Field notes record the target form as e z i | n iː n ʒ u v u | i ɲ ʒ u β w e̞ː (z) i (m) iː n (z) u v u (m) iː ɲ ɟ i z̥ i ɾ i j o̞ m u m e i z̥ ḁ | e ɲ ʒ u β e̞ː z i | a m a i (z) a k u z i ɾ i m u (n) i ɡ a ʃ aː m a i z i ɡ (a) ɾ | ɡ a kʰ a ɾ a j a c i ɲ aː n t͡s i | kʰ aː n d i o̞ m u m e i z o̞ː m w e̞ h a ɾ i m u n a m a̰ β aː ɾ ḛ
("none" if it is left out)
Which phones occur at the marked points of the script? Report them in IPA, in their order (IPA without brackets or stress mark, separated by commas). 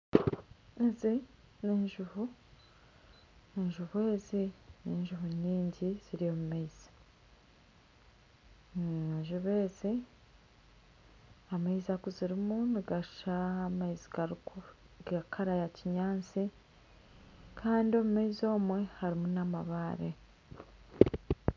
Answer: z, n, ʒ, ɲ, z, n, a